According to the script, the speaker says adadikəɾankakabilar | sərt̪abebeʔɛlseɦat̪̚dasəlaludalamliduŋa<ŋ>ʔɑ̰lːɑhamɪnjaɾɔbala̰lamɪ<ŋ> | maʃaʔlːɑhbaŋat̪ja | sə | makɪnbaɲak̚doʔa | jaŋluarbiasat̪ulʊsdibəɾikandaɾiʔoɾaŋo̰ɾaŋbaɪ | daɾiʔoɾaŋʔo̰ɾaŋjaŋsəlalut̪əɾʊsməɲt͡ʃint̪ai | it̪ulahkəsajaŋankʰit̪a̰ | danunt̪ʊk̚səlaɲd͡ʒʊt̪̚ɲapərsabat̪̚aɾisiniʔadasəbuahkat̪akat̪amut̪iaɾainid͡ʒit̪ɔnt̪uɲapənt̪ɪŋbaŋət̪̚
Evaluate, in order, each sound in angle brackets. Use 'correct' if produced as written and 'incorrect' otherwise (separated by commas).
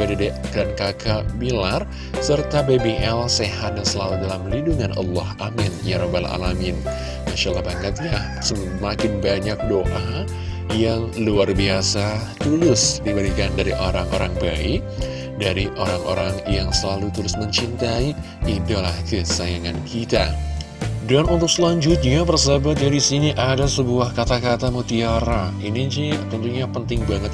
incorrect, incorrect